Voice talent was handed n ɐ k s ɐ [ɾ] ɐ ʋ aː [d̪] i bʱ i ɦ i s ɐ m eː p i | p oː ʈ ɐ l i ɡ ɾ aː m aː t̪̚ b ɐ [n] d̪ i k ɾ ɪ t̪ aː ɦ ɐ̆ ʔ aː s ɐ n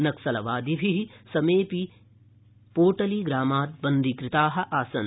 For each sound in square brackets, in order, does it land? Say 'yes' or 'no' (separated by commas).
no, yes, yes